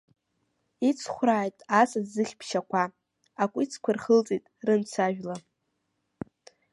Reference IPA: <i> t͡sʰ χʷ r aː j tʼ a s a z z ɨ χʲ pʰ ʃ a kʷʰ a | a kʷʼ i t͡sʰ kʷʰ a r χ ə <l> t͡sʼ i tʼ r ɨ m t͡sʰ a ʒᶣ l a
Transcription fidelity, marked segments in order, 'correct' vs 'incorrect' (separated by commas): correct, correct